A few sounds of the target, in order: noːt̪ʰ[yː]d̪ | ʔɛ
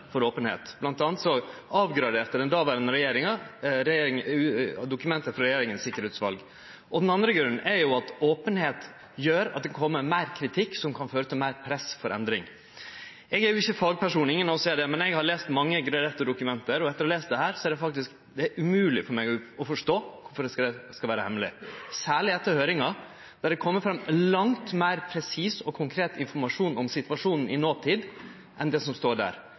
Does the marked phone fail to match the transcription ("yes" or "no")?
yes